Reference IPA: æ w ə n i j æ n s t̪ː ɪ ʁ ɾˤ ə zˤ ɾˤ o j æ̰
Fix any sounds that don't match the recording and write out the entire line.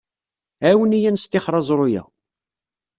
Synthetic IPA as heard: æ w ə n i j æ n s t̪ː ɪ χ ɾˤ ɑ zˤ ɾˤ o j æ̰